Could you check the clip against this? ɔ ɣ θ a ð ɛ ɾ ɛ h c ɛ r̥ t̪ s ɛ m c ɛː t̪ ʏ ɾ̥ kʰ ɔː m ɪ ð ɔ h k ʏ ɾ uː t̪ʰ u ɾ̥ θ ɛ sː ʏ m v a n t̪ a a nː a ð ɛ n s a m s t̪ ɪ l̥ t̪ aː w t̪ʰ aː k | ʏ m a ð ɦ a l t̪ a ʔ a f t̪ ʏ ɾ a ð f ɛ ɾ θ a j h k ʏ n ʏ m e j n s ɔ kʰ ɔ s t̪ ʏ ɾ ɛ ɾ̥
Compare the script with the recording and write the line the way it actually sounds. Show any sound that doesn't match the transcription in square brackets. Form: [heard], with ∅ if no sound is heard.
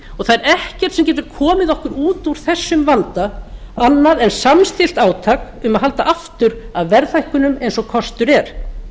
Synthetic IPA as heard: ɔ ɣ θ a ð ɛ ɾ ɛ h c ɛ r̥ t̪ s ɛ m c ɛː t̪ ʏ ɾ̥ kʰ ɔː m ɪ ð ɔ h k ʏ ɾ uː [t̪] u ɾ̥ θ ɛ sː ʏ m v a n t̪ a a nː a ð ɛ n s a m s t̪ ɪ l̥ t̪ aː w t̪ʰ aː k | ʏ m a ð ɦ a l t̪ a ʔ a f t̪ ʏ ɾ a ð [v] ɛ ɾ θ a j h k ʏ n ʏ m e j n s ɔ kʰ ɔ s t̪ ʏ ɾ ɛ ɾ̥

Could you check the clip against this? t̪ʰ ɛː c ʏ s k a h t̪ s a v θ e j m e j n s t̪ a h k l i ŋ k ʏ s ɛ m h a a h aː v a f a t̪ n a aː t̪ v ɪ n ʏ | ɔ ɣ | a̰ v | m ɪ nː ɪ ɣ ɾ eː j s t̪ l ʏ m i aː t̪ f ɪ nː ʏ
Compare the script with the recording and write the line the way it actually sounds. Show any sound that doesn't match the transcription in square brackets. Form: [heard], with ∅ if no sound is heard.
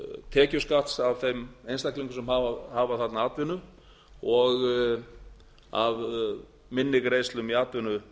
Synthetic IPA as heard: t̪ʰ ɛː c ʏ s k a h t̪ s a v θ e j m e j n s t̪ a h k l i ŋ k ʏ s ɛ m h a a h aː v a [θ] a t̪ n a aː t̪ v ɪ n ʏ | ɔ ɣ | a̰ v | m ɪ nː ɪ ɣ ɾ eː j s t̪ l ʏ m i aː t̪ [v] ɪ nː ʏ

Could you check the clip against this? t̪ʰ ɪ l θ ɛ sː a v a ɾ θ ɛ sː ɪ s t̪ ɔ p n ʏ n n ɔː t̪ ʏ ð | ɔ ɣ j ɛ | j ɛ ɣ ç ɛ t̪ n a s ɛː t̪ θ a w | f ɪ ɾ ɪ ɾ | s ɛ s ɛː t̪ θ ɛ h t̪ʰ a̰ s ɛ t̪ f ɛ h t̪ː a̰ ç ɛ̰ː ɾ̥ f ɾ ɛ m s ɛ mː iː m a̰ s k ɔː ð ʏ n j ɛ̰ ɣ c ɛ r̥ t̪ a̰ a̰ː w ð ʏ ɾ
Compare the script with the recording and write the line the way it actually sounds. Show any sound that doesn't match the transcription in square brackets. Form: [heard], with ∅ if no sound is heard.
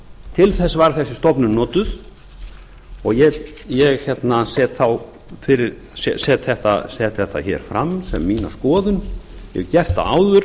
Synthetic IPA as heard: t̪ʰ ɪ l θ ɛ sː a v a ɾ θ ɛ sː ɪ s t̪ ɔ p n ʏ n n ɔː t̪ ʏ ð | ɔ ɣ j ɛ | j ɛ ɣ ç ɛ t̪ n a s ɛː t̪ θ a w | f ɪ ɾ ɪ ɾ | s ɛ s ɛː t̪ θ ɛ h [t̪] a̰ s ɛ t̪ [θ] ɛ h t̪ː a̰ ç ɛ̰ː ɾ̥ f ɾ [a] m s ɛ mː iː [n] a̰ s k ɔː ð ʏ n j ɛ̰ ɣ c ɛ r̥ t̪ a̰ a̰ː w ð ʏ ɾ

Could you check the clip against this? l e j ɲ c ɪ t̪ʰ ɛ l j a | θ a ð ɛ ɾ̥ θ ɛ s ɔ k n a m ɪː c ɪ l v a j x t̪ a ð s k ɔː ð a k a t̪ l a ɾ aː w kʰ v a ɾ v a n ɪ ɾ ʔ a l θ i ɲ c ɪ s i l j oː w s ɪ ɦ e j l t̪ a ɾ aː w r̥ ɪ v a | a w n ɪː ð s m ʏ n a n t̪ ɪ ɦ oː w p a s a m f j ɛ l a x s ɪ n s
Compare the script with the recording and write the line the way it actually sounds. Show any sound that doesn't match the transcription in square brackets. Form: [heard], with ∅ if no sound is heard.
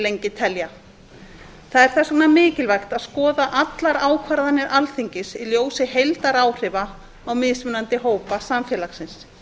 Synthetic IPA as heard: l e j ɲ c ɪ t̪ʰ ɛ l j a | θ a ð ɛ ɾ̥ θ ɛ s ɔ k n a m ɪː c ɪ l v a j x t̪ a ð s k ɔː ð a [ʔ] a t̪ l a ɾ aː w kʰ v a ɾ [ð] a n ɪ ɾ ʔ a l θ i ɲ c ɪ s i l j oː w s ɪ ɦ e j l t̪ a ɾ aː w r̥ ɪ v a | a w [m] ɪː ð s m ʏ n a n t̪ ɪ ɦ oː w p a s a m f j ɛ l a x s ɪ n s

